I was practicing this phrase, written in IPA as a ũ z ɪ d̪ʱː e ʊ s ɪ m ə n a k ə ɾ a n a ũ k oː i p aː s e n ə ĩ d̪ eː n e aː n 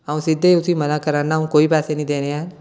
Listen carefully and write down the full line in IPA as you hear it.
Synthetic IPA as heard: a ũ s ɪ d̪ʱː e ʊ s i m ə n a k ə ɾ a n a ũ k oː i p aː s e n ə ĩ d̪ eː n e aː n